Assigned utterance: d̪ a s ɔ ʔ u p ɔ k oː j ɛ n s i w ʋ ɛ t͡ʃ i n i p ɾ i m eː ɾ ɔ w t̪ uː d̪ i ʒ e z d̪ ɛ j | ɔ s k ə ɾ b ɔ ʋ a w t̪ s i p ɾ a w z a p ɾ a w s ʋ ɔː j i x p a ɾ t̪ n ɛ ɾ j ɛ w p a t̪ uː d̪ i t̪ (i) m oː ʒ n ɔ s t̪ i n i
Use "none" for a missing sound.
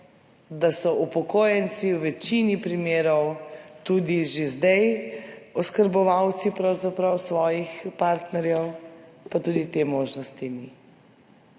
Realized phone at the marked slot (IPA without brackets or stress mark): e